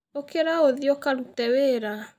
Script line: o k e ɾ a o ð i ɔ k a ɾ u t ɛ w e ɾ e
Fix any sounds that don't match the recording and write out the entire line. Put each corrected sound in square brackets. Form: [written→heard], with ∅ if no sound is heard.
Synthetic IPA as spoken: o k e ɾ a o ð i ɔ k a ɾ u t ɛ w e ɾ [e→a]